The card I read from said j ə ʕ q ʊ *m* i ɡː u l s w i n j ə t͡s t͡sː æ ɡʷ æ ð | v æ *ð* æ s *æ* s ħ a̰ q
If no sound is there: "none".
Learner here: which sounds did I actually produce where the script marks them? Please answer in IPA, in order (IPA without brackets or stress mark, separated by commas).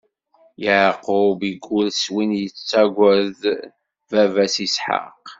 b, v, i